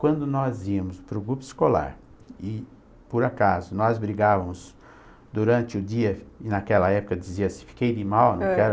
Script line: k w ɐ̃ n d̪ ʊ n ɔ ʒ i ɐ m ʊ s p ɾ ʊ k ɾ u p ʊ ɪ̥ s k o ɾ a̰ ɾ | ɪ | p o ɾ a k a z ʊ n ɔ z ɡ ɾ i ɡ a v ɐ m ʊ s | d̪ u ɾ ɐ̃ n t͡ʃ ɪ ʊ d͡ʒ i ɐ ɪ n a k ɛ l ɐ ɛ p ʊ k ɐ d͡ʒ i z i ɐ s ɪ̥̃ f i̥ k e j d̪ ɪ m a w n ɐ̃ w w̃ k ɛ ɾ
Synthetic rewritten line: k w ɐ̃ n d̪ ʊ n ɔ z i ɐ m ʊ s p ɾ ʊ ɡ ɾ u p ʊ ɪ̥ s k o l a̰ ɾ | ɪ | p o ɾ a k a z ʊ n ɔ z b ɾ i ɡ a v ɐ m ʊ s | d̪ u ɾ ɐ̃ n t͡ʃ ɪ ʊ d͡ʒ i ɐ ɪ n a k ɛ l ɐ ɛ p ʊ k ɐ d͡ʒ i z i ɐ s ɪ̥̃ f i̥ k e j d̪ ɪ m a w n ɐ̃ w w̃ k ɛ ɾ